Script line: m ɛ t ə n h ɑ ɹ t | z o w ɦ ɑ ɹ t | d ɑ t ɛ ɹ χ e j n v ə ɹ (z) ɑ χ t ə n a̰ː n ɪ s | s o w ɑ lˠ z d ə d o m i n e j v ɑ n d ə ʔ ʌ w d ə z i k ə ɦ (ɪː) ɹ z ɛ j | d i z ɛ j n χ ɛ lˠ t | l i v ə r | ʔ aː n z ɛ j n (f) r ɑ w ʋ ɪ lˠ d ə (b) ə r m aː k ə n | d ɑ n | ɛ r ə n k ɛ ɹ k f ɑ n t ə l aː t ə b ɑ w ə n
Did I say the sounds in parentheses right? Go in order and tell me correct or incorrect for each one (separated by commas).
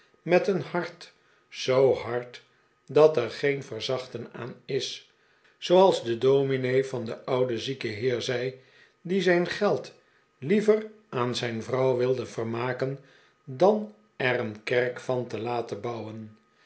correct, correct, incorrect, incorrect